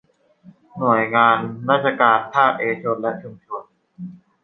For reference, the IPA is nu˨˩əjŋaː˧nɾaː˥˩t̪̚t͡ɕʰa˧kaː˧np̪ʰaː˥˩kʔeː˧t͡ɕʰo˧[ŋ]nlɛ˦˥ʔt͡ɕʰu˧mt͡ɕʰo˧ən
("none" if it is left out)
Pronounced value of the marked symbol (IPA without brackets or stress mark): none